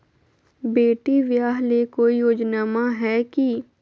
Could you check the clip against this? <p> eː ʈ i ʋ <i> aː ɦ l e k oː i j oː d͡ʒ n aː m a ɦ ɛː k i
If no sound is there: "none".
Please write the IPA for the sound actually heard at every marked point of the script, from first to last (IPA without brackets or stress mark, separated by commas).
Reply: b, j